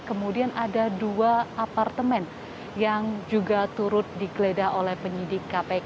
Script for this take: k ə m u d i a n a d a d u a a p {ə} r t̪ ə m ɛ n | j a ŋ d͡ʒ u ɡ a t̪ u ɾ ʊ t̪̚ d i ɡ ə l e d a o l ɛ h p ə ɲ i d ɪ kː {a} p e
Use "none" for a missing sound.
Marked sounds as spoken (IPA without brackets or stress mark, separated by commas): a, a